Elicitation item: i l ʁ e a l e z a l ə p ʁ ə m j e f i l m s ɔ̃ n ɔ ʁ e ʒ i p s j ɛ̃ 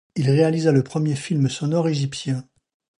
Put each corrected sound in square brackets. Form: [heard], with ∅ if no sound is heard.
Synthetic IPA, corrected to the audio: i l ʁ e a l [i] z a l ə p [χ] ə m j e f i l m s [ɔ] n ɔ ʁ e ʒ i p s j ɛ̃